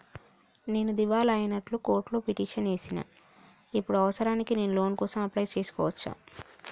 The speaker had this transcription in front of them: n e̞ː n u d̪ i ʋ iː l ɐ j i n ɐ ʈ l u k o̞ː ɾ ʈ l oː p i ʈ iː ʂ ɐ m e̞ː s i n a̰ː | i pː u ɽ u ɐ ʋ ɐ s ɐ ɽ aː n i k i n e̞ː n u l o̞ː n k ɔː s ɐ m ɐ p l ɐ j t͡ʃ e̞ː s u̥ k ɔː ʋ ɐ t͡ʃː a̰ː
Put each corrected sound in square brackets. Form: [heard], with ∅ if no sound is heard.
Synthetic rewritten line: n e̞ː n u d̪ i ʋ [aː] l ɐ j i n ɐ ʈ l u k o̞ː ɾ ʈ l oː p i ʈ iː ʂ ɐ [n] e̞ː s i n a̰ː | i pː u ɽ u ɐ ʋ ɐ s ɐ [ɾ] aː n i k i n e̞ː n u l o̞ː n k ɔː s ɐ m ɐ p l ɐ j t͡ʃ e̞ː s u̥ k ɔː ʋ ɐ t͡ʃː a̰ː